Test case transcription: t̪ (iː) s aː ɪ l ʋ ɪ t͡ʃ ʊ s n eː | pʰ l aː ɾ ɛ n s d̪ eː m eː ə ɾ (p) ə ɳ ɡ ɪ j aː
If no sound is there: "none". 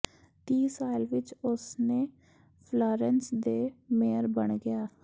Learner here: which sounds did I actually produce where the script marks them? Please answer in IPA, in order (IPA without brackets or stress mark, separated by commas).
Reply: iː, b